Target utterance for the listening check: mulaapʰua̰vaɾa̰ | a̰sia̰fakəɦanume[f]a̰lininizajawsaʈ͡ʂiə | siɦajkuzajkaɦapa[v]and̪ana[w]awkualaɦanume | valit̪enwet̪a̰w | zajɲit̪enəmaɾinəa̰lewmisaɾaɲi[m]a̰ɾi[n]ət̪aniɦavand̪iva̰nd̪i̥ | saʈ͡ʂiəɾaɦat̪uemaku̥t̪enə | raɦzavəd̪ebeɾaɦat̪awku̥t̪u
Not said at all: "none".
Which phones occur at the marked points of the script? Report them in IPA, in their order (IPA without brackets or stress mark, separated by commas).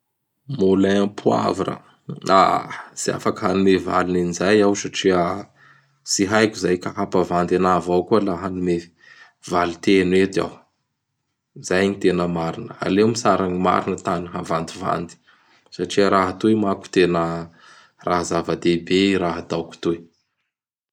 v, v, v, m, n